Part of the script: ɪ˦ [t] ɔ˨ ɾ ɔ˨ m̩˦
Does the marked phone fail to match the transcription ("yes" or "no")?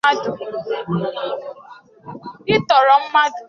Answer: no